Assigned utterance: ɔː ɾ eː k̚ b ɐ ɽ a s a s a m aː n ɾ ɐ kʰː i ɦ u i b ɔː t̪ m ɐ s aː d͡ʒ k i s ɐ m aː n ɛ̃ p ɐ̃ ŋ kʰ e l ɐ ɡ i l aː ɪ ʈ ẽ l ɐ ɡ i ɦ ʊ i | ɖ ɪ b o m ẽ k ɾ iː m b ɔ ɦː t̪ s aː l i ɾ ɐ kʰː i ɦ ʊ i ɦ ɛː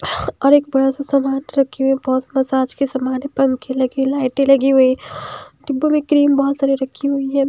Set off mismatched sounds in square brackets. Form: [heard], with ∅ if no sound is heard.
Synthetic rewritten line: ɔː ɾ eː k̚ b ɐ ɽ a s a s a m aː n ɾ ɐ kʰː i ɦ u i b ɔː t̪ m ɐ s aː d͡ʒ k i s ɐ m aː n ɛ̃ p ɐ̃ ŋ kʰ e l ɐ ɡ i l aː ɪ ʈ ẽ l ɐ ɡ i ɦ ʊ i | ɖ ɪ b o m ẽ k ɾ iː m b ɔ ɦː t̪ s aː [ɾ] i ɾ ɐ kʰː i ɦ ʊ i ɦ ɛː